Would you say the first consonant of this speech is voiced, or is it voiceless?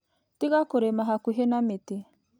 voiceless